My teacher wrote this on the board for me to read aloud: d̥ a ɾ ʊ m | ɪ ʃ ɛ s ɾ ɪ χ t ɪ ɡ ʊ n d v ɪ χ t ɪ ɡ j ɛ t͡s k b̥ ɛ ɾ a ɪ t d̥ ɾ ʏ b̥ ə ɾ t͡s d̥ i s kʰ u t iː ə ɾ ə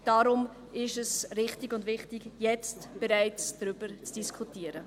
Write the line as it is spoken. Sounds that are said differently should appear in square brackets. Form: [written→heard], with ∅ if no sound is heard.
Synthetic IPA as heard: d̥ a ɾ ʊ m | ɪ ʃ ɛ s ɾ ɪ χ t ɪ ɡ ʊ n d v ɪ χ t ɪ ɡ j ɛ t͡s [k→t] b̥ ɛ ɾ a ɪ [t→t͡s] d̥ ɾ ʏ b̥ ə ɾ t͡s d̥ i s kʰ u t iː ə ɾ ə